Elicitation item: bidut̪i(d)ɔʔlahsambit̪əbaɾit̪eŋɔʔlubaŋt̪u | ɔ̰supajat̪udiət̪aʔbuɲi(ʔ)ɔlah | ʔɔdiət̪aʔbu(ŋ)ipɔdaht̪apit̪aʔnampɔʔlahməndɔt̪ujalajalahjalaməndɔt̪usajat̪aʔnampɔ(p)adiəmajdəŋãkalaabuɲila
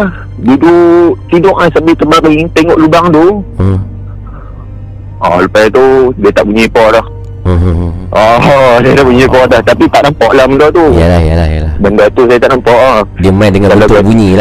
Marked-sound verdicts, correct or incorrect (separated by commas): correct, incorrect, incorrect, incorrect